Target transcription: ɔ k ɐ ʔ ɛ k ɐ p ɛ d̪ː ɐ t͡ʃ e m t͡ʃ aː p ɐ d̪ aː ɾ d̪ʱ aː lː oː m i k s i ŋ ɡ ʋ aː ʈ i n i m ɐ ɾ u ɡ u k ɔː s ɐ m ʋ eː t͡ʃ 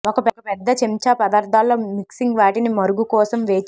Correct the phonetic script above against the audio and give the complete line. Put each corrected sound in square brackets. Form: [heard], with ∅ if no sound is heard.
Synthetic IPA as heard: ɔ k ɐ [p] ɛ k ɐ p ɛ d̪ː ɐ t͡ʃ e m t͡ʃ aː p ɐ d̪ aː ɾ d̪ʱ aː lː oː m i k s i ŋ ɡ ʋ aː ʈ i n i m ɐ ɾ u ɡ u k ɔː s ɐ m ʋ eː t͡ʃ